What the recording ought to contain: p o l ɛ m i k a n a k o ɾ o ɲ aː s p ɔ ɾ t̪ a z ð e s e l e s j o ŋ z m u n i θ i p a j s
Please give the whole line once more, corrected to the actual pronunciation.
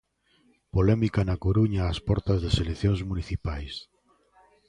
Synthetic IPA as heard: p o l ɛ m i k a n a k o ɾ u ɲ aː s p ɔ ɾ t̪ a z ð e s e l e θ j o ŋ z m u n i θ i p a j s